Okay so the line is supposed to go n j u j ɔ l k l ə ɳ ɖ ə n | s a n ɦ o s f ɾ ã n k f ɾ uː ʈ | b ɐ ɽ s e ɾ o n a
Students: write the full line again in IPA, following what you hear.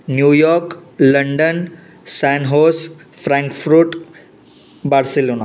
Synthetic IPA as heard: n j u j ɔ ɾ k l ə ɳ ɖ ə n | s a n ɦ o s f ɾ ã ŋ k f ɾ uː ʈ | b a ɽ s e l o n a